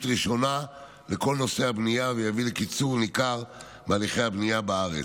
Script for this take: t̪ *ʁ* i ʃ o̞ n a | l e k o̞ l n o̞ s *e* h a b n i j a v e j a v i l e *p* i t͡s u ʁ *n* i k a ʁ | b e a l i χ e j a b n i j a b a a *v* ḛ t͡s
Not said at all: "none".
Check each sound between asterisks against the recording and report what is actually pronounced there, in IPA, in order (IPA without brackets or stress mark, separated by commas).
ʁ, e, k, n, ʁ